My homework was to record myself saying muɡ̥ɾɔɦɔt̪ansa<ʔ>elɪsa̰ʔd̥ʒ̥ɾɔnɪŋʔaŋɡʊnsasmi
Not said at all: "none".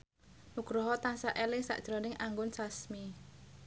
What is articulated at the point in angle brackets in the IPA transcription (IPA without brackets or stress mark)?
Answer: ʔ